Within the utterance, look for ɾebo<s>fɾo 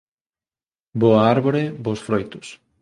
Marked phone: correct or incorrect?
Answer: correct